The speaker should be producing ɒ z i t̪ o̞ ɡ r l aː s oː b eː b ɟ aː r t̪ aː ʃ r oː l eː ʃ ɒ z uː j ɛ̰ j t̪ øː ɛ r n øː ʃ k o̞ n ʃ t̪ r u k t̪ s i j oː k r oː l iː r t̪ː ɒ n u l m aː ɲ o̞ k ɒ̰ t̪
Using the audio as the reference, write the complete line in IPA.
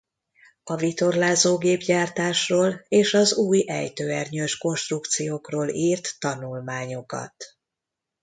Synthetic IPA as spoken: ɒ v i t̪ o̞ r l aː z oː ɡ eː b ɟ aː r t̪ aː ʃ r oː l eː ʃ ɒ z uː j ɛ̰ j t̪ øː ɛ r ɲ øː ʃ k o̞ n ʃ t̪ r u k t̪ s i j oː k r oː l iː r t̪ː ɒ n u l m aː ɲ o̞ k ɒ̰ t̪